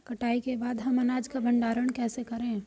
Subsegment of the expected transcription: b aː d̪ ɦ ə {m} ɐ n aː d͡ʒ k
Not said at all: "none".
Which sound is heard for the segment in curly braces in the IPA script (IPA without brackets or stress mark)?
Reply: m